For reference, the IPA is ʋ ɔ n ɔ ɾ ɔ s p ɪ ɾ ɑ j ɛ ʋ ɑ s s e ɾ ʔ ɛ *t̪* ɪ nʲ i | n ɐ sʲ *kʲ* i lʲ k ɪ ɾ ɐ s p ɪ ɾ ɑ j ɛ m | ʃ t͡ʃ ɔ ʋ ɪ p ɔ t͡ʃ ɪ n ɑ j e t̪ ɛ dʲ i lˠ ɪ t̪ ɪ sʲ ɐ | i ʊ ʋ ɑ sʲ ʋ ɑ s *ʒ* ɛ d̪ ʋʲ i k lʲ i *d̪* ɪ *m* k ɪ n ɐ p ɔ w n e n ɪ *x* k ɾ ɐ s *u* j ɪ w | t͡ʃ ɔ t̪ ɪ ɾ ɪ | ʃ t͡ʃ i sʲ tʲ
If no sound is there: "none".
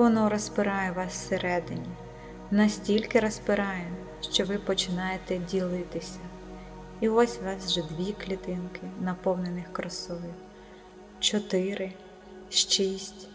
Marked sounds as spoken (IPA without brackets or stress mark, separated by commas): d̪, tʲ, ʒ, t̪, n, x, ɔ